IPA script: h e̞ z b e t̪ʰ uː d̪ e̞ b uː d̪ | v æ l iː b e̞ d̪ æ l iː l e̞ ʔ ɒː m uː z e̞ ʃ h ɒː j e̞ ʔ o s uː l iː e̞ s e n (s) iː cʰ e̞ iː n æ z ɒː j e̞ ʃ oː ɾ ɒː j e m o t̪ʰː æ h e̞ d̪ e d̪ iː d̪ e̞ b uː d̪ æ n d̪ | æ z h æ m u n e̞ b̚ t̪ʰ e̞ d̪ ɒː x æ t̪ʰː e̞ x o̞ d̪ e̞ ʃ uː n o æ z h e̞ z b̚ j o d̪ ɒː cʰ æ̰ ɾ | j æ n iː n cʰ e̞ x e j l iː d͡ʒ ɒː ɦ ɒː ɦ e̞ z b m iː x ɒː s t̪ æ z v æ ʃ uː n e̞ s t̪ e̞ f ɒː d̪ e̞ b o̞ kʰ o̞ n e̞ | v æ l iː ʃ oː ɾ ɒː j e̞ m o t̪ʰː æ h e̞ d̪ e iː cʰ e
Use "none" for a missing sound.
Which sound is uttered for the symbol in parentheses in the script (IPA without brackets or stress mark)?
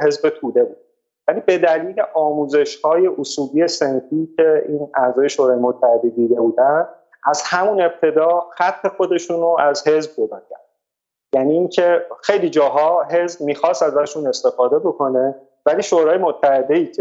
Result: f